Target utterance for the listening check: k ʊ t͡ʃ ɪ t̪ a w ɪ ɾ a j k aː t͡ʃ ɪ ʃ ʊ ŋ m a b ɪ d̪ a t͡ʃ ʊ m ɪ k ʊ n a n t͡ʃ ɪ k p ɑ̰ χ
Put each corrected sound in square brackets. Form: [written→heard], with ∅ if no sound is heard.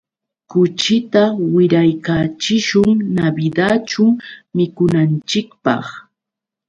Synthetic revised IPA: k ʊ t͡ʃ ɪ t̪ a w ɪ ɾ a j k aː t͡ʃ ɪ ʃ ʊ ŋ [m→n] a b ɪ d̪ a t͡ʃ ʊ m ɪ k ʊ n a n t͡ʃ ɪ k p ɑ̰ χ